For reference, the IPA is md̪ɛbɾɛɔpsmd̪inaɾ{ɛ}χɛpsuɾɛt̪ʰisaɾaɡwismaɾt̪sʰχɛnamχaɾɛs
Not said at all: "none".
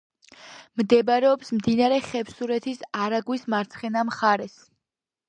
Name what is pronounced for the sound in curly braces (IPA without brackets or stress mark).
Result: ɛ